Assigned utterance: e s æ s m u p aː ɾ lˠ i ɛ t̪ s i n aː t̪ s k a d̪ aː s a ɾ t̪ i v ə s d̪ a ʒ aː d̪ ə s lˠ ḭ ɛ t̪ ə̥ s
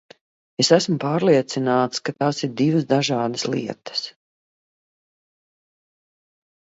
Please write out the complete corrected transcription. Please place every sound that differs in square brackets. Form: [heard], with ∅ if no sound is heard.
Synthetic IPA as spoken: e s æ s m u p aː ɾ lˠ i ɛ t̪ s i n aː t̪ s k a [t̪] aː s [i] ɾ [d̪] i v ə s d̪ a ʒ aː d̪ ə s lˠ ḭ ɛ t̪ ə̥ s